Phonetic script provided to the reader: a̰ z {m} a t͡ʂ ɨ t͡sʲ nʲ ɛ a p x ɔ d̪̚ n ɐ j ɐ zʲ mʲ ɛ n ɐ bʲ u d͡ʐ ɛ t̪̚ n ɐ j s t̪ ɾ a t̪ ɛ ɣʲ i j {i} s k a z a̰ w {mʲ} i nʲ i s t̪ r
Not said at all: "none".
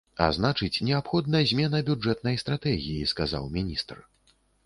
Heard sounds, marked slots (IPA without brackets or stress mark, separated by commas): n, i, mʲ